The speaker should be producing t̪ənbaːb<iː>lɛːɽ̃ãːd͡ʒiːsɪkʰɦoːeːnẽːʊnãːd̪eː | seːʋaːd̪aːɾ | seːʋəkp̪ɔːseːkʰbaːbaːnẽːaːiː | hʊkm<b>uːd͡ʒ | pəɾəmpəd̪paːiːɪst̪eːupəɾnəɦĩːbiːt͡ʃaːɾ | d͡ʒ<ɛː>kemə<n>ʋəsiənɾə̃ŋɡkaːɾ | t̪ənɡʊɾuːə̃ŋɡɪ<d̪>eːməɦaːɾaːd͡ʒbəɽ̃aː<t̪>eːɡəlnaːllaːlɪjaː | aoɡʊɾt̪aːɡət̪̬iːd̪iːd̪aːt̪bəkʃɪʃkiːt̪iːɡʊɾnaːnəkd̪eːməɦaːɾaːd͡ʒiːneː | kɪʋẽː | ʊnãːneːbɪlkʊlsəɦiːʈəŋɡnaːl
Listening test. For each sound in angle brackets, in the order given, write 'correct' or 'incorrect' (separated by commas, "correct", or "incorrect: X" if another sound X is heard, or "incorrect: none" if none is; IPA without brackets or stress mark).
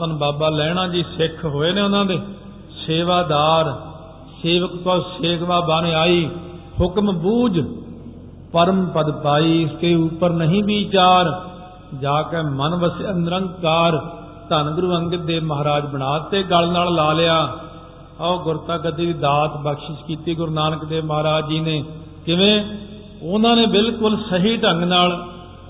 incorrect: aː, correct, incorrect: aː, correct, correct, correct